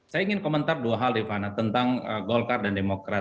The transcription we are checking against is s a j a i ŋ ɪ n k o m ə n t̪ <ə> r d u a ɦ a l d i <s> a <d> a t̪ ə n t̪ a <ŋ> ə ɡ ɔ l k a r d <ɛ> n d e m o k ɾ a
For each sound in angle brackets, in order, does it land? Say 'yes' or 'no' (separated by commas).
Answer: no, no, no, yes, no